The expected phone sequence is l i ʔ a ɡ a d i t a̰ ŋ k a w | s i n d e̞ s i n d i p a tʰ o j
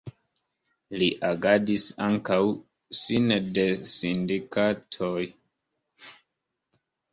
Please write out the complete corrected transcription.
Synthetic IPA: l i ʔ a ɡ a d i s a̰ ŋ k a w | s i n d e̞ s i n d i k a tʰ o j